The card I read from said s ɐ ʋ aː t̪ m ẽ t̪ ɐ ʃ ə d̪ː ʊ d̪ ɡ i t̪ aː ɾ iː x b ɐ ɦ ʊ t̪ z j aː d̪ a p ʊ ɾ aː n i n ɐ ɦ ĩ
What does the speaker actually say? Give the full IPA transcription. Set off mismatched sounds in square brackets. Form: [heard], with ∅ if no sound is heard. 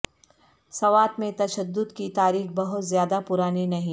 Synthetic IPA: s ɐ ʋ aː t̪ m ẽ t̪ ɐ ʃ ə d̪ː ʊ d̪ [k] i t̪ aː ɾ iː x b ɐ ɦ ʊ t̪ z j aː d̪ a p ʊ ɾ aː n i n ɐ ɦ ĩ